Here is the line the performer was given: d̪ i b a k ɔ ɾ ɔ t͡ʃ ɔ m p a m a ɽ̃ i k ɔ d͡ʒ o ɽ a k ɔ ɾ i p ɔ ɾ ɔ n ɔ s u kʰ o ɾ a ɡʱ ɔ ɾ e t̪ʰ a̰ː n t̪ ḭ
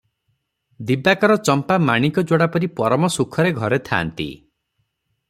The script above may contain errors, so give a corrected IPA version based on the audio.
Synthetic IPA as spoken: d̪ i b a k ɔ ɾ ɔ t͡ʃ ɔ m p a m a ɽ̃ i k ɔ d͡ʒ o ɽ a p ɔ ɾ i p ɔ ɾ ɔ m ɔ s u kʰ ɔ ɾ e ɡʱ ɔ ɾ e t̪ʰ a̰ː n t̪ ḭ